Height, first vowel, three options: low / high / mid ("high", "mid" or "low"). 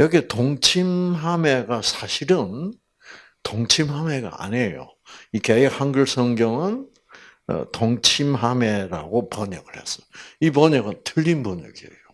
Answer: mid